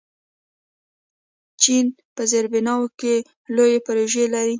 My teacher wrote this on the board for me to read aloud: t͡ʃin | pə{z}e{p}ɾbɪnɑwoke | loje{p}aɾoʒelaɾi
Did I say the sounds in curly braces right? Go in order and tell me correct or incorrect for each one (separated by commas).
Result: correct, incorrect, correct